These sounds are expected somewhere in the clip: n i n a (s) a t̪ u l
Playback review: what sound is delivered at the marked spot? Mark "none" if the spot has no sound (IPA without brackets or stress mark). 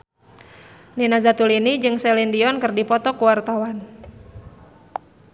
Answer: z